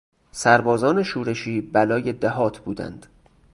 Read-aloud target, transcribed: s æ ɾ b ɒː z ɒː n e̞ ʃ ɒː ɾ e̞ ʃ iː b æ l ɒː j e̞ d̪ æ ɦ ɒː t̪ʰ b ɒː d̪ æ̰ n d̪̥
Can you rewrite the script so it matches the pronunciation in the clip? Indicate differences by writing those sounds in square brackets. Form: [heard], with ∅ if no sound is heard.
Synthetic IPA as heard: s æ ɾ b ɒː z ɒː n e̞ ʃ [uː] ɾ e̞ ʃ iː b æ l ɒː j e̞ d̪ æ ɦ ɒː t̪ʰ b [uː] d̪ æ̰ n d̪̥